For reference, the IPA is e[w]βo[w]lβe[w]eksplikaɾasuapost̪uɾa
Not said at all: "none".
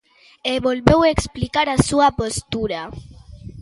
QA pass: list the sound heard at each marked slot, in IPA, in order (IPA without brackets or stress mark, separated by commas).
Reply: none, none, w